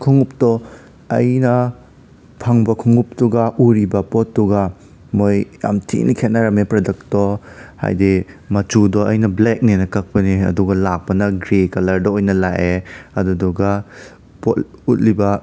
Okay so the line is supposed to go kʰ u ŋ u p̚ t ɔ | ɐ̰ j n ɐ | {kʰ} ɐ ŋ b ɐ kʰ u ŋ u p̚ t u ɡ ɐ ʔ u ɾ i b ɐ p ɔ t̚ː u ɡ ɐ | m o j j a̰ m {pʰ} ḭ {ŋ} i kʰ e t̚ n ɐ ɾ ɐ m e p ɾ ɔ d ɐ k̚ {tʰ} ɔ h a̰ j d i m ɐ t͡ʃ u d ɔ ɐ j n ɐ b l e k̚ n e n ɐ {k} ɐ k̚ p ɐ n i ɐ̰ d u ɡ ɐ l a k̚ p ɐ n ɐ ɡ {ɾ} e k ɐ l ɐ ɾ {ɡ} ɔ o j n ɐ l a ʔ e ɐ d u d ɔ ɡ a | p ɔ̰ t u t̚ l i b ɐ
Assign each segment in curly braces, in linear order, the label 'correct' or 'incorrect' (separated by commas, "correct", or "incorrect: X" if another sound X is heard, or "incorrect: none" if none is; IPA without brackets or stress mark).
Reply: incorrect: pʰ, incorrect: tʰ, incorrect: n, incorrect: t, correct, correct, incorrect: d